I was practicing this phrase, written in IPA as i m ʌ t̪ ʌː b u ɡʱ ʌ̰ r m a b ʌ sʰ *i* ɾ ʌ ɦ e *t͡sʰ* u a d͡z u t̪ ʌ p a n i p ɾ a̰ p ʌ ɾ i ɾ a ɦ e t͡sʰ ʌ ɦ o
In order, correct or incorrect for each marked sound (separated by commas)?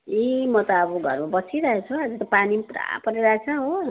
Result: correct, correct